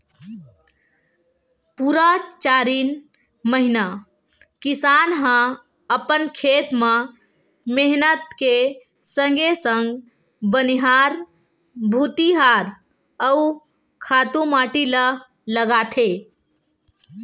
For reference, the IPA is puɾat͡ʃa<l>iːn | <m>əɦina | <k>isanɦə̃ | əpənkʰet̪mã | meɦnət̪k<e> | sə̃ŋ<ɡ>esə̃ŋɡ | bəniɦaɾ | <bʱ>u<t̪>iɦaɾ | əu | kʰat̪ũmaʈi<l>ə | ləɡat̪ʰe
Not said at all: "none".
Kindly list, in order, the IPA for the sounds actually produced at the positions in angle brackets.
ɾ, m, k, e, ɡ, bʱ, t̪, l

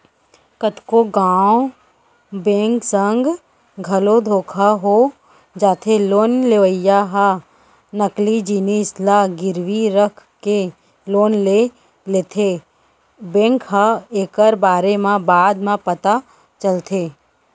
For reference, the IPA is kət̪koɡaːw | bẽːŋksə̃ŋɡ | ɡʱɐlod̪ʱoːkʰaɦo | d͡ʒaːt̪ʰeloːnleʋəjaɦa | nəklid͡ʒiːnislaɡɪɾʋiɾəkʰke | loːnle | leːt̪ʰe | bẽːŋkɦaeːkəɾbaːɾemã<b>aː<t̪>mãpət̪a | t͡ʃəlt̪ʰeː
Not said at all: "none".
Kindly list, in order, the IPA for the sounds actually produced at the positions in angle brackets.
b, d̪

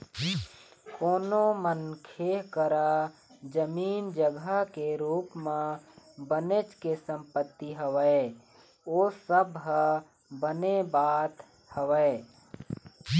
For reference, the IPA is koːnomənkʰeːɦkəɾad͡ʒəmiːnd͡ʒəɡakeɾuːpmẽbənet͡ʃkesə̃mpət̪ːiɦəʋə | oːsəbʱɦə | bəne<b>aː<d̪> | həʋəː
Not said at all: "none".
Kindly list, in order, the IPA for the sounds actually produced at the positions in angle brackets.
b, t̪

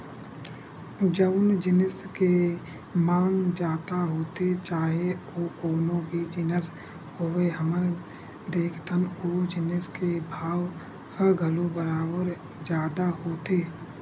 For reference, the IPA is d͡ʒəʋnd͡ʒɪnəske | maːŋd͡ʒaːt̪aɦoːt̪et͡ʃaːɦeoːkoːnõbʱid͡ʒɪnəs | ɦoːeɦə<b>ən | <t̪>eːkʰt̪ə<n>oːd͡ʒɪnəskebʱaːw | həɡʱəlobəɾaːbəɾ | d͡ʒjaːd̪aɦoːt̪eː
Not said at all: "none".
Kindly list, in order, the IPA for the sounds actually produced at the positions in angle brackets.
m, d̪, n

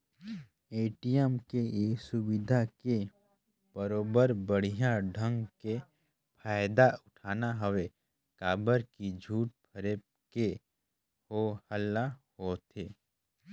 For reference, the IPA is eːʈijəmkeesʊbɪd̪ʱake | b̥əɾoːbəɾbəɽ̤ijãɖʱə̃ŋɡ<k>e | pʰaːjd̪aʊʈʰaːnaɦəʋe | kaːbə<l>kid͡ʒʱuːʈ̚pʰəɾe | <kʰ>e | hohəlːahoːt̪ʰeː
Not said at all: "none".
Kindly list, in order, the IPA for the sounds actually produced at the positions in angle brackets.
k, ɾ, k

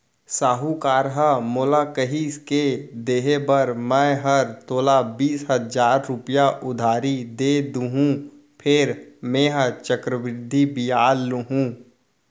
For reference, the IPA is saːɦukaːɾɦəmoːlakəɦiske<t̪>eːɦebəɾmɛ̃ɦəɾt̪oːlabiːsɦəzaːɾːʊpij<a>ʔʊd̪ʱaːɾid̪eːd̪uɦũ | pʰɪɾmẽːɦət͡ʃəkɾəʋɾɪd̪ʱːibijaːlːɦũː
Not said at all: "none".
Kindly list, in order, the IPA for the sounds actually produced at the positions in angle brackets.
d̪, a

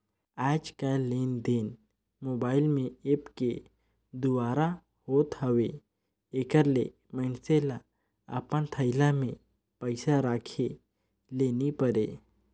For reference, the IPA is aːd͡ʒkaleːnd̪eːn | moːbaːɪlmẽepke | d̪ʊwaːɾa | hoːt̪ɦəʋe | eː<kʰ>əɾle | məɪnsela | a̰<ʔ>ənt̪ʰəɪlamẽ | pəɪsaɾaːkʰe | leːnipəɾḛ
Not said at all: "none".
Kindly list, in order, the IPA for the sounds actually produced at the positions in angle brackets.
k, p

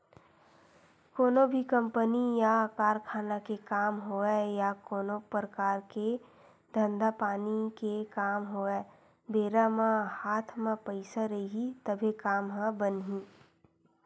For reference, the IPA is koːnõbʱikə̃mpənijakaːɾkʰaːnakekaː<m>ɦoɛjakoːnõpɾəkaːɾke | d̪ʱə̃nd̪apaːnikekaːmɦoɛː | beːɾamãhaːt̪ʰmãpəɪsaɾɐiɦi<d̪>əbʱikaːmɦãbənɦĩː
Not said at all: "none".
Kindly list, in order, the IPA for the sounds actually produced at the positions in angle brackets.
m, t̪

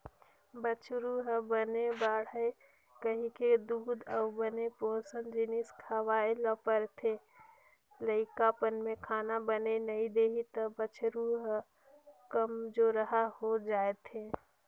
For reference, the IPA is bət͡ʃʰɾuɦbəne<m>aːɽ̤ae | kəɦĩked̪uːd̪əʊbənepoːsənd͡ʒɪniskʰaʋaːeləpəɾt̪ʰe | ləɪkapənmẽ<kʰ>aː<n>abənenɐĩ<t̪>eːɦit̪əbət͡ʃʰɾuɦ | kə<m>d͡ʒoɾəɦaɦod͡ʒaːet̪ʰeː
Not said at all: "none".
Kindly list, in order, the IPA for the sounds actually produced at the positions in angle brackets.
b, kʰ, n, d̪, m

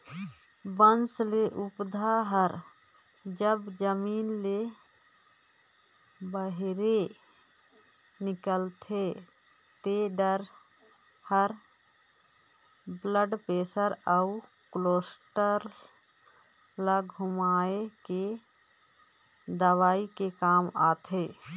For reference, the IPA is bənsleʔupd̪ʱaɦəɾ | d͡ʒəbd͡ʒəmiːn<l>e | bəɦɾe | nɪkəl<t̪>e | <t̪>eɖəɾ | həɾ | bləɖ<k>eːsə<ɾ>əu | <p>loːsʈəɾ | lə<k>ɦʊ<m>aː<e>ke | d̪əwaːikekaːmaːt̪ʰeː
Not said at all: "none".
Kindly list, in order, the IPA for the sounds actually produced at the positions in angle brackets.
l, t̪ʰ, t̪, p, ɾ, k, ɡ, m, e

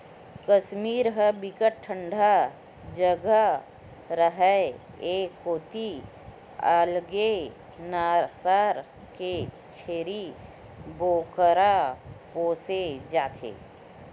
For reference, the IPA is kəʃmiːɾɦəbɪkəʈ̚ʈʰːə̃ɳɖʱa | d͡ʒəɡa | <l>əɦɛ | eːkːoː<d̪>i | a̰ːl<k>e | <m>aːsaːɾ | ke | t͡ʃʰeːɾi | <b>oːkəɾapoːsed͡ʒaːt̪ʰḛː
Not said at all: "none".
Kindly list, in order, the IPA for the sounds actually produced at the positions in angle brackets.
ɾ, t̪, ɡ, n, b

